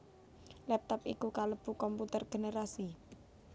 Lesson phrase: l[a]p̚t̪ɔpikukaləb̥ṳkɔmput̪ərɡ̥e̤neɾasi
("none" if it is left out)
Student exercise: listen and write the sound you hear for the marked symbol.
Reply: ɛ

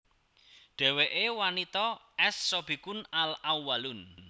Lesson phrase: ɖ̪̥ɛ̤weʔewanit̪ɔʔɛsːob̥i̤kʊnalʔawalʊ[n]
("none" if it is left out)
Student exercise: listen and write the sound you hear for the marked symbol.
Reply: n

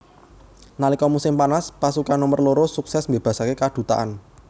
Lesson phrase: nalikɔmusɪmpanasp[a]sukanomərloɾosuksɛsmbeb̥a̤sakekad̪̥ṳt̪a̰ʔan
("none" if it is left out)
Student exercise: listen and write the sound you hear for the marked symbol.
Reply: a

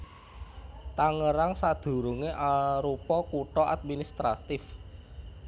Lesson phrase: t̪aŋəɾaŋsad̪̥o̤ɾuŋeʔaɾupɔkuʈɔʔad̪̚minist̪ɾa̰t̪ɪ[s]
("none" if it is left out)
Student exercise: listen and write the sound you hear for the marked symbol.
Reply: f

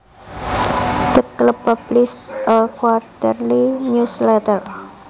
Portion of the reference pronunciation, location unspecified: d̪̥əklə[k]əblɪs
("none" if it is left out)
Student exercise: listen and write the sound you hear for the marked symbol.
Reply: p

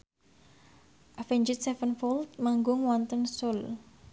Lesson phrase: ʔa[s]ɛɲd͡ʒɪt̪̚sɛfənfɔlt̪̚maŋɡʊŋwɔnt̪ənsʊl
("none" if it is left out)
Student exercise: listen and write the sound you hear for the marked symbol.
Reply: f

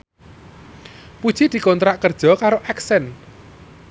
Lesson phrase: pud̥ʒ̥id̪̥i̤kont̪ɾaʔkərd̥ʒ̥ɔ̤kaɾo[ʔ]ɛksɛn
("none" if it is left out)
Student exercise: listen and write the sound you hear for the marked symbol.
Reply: ʔ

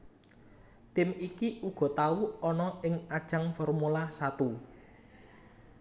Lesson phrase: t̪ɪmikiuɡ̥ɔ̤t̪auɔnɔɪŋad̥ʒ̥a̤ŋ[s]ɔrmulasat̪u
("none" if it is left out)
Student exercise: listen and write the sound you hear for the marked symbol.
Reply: f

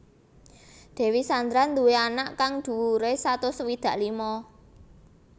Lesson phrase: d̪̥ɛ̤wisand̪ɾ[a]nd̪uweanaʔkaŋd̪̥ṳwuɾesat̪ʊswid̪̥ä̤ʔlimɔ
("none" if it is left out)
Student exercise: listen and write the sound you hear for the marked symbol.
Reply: a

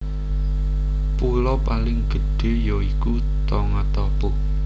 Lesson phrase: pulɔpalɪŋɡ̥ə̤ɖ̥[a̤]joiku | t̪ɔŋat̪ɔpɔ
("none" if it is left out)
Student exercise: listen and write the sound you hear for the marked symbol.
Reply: e̤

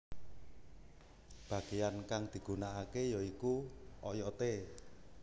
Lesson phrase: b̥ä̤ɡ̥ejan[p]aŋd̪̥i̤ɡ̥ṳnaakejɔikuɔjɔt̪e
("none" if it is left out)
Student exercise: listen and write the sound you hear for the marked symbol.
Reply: k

